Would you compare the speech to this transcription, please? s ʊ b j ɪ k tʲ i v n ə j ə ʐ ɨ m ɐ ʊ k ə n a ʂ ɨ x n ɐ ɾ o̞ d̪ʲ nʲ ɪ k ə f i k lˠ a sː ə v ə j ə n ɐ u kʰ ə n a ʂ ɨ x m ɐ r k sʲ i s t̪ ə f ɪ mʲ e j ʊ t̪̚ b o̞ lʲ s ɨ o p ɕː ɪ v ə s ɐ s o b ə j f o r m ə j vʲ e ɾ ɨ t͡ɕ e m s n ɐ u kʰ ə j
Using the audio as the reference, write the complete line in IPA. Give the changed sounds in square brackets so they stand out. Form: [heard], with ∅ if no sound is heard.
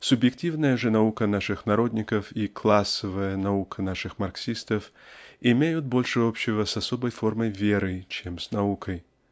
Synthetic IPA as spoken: s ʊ b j ɪ k tʲ i v n ə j ə ʐ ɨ [n] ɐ [u] k ə n a ʂ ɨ x n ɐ ɾ o̞ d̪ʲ nʲ ɪ k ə f i k lˠ a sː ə v ə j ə n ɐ u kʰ ə n a ʂ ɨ x m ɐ r k sʲ i s t̪ ə f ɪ mʲ e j ʊ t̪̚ b o̞ lʲ [ʂ] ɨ o p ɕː ɪ v ə s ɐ s o b ə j f o r m ə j vʲ e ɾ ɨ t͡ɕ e m s n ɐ u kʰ ə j